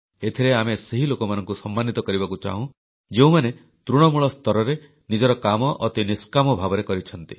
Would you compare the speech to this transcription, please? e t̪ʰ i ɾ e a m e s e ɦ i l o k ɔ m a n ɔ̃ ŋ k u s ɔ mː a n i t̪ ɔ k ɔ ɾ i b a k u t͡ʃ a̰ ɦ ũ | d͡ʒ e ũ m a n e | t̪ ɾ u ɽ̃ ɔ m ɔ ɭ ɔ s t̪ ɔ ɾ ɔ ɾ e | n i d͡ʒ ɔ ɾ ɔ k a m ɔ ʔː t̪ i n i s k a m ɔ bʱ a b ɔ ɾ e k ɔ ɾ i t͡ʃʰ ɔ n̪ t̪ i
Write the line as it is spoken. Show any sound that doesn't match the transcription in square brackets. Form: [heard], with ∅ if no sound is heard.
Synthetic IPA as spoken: e t̪ʰ i ɾ e a m e s e ɦ i l o k ɔ m a n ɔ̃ ŋ k u s ɔ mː a n i t̪ ɔ k ɔ ɾ i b a k u t͡ʃ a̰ ɦ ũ | d͡ʒ e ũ m a n e | t̪ ɾ u ɽ̃ ɔ m [u] ɭ ɔ s t̪ ɔ ɾ ɔ ɾ e | n i d͡ʒ ɔ ɾ ɔ k a m ɔ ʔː t̪ i n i s k a m ɔ bʱ a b ɔ ɾ e k ɔ ɾ i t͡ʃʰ ɔ n̪ t̪ i